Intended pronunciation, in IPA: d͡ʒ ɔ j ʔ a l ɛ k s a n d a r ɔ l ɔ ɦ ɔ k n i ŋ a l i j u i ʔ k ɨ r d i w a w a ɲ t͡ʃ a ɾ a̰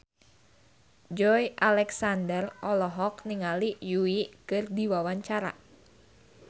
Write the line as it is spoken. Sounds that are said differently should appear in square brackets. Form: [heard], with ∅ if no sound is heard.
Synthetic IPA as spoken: d͡ʒ ɔ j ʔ a l ɛ k s a n d [ə] r ɔ l ɔ ɦ ɔ k n i ŋ a l i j u i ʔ k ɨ r d i w a w a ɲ t͡ʃ a ɾ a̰